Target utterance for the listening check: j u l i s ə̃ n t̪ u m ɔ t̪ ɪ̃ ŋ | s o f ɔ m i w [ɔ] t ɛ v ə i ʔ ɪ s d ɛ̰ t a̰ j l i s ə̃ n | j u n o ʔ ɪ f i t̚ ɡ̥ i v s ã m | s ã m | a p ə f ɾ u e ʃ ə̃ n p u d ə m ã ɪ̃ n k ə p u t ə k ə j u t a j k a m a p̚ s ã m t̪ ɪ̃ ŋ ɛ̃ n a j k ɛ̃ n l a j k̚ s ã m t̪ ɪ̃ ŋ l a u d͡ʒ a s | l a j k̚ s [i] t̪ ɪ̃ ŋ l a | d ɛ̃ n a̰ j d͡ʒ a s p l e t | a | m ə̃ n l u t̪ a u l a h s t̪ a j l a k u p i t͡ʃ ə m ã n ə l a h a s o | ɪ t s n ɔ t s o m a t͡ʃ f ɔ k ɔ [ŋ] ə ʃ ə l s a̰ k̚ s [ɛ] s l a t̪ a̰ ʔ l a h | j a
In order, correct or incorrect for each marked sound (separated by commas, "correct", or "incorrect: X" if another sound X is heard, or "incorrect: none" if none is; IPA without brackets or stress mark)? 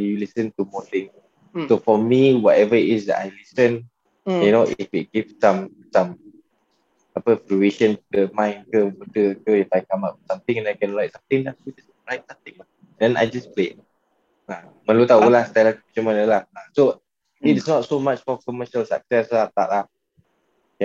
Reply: correct, incorrect: a, incorrect: m, correct